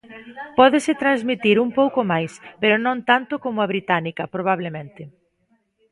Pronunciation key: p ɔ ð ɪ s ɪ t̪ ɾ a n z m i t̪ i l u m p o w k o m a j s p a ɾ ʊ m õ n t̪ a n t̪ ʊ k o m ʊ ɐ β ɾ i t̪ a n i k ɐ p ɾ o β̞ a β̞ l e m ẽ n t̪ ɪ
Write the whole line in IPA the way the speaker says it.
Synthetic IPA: p ɔ ð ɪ s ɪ t̪ ɾ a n z m i t̪ i ɾ u m p o w k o m a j s p e ɾ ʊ n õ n t̪ a n t̪ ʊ k o m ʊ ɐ β ɾ i t̪ a n i k ɐ p ɾ o β̞ a β̞ l e m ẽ n t̪ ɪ